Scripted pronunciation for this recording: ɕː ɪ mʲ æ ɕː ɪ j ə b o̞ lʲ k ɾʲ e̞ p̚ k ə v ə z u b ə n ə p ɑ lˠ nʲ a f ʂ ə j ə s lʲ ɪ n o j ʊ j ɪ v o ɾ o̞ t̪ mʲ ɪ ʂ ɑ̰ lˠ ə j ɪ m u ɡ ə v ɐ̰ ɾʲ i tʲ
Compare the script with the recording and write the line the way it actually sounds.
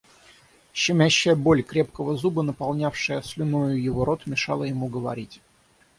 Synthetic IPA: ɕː ɪ mʲ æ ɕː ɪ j ə b o̞ lʲ k ɾʲ e̞ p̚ k ə v ə z u b ə n ə p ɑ lˠ nʲ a f ʂ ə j ə s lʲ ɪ n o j ʊ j ɪ v o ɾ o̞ t̪ mʲ ɪ ʂ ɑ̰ lˠ ə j ɪ m u ɡ ə v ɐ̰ ɾʲ i tʲ